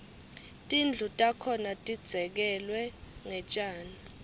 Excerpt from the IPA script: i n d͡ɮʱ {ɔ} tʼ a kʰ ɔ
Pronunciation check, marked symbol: incorrect: u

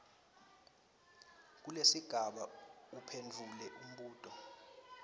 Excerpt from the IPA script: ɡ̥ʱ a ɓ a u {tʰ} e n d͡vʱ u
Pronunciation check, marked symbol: incorrect: pʰ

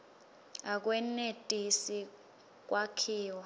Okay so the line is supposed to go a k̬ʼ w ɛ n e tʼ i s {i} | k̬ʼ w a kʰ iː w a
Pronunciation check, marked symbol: correct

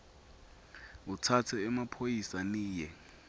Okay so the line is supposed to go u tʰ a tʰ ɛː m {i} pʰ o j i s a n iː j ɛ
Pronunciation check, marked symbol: incorrect: a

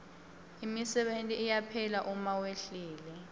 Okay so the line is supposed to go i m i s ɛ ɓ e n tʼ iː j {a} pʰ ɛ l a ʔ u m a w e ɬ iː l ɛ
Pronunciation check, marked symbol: correct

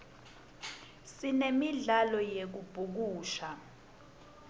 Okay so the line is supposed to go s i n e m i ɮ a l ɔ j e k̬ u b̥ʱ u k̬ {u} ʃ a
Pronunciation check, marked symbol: incorrect: uː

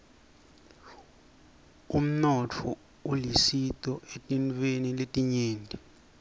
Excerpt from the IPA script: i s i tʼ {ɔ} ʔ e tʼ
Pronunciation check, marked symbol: correct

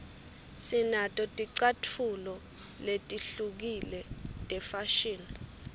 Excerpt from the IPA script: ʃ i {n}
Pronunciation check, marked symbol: correct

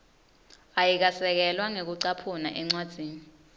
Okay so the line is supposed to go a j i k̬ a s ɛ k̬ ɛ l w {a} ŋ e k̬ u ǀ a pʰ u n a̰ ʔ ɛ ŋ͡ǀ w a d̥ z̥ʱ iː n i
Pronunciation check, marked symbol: correct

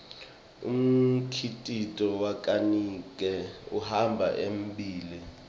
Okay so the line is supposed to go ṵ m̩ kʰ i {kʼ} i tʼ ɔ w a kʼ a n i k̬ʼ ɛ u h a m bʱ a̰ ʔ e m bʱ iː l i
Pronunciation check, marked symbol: incorrect: tʼ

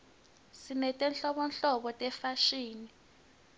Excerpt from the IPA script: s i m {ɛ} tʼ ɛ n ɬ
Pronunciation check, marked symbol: correct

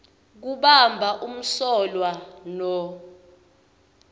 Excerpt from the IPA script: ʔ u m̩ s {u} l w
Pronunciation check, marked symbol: incorrect: ɔ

